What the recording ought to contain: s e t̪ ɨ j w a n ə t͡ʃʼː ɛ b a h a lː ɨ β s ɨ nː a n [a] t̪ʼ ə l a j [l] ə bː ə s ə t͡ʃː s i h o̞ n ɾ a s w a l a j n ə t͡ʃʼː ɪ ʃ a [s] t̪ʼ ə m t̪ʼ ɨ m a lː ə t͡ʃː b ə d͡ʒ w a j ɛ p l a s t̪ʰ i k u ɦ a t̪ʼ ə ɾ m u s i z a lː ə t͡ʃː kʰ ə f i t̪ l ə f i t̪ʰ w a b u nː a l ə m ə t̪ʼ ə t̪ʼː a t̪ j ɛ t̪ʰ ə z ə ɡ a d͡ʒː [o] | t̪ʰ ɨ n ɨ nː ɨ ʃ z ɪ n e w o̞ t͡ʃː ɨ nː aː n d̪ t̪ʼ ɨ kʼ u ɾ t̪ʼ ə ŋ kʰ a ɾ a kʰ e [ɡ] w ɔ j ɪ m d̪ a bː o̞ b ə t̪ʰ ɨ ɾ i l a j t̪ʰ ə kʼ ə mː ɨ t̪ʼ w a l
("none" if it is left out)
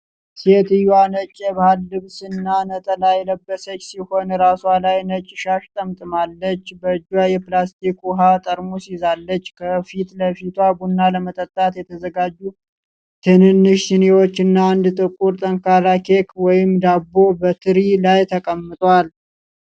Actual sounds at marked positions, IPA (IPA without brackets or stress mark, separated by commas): ə, l, ʃ, u, k